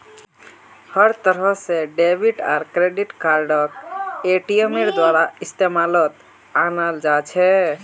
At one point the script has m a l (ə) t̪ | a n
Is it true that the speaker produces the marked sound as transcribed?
yes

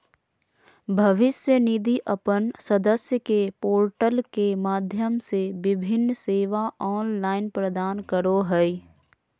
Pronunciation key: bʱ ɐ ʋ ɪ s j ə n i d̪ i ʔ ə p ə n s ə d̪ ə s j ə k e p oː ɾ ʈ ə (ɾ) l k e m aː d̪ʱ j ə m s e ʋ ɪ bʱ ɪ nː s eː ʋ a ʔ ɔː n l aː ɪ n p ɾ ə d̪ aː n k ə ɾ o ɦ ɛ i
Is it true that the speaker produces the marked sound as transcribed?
no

